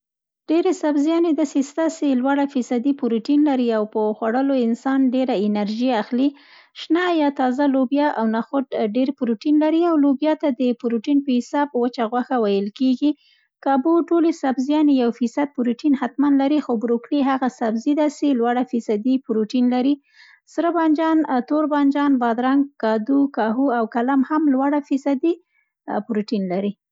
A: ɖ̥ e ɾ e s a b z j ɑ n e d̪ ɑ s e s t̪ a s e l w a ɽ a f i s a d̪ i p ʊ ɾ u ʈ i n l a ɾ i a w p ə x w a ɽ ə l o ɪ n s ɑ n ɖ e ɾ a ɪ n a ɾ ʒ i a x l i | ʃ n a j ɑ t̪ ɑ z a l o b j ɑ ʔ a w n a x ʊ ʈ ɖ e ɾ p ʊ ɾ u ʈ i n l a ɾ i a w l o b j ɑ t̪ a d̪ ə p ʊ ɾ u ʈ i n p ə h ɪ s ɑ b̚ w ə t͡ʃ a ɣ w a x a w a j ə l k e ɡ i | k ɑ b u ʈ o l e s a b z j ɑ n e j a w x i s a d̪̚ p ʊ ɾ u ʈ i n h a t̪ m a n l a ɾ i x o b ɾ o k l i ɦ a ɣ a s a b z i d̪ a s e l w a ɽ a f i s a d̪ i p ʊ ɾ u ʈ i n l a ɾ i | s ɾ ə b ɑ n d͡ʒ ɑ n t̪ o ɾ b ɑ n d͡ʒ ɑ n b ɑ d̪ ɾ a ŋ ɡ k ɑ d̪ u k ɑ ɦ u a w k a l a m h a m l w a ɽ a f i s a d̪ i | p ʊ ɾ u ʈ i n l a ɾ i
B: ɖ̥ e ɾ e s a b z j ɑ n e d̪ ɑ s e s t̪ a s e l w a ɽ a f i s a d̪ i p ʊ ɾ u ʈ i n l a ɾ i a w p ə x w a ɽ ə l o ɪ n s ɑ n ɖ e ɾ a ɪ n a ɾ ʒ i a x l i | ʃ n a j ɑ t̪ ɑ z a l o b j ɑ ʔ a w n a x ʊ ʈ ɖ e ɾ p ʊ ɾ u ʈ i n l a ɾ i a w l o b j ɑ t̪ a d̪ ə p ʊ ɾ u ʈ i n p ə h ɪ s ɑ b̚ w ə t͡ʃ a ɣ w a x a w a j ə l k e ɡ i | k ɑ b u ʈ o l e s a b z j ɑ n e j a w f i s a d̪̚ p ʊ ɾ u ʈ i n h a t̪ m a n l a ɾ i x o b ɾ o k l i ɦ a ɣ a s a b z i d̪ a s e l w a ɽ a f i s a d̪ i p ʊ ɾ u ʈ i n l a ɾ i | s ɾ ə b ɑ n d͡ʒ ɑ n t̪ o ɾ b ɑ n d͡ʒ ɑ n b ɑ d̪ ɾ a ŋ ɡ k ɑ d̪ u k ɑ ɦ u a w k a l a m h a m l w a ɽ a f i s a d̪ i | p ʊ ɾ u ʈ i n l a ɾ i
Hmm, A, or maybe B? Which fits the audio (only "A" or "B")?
B